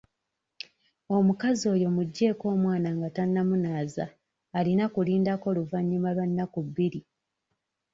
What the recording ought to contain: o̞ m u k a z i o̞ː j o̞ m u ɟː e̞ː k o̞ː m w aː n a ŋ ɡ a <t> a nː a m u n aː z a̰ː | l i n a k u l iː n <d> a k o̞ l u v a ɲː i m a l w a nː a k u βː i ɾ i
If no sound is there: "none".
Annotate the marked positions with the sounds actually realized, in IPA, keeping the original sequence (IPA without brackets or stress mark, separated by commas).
t, d